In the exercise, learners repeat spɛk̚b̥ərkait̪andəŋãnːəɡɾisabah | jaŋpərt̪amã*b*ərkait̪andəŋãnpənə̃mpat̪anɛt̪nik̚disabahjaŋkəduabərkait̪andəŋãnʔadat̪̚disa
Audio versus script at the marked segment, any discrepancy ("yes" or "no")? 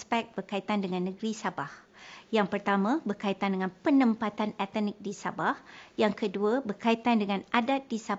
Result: no